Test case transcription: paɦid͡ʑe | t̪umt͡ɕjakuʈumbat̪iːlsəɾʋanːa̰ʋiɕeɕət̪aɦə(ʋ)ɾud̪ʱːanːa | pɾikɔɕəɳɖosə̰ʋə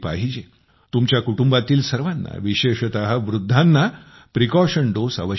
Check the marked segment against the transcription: correct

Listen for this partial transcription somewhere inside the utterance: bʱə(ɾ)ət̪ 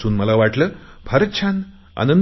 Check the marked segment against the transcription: correct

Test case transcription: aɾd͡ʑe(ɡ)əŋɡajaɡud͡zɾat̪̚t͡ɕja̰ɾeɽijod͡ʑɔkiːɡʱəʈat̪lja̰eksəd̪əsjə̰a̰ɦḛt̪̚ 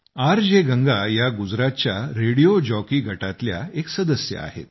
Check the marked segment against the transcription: correct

